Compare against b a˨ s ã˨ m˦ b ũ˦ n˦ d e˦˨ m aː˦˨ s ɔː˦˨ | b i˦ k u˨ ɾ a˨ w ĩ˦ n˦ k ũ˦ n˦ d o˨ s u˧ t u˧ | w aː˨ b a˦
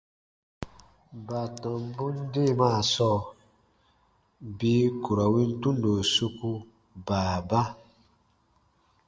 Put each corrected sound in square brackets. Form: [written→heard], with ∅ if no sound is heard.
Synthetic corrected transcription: b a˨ [s→t] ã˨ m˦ b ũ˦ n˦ d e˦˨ m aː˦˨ s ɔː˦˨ | b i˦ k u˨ ɾ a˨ w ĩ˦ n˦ [k→t] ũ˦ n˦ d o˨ s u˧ [t→k] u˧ | [w→b] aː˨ b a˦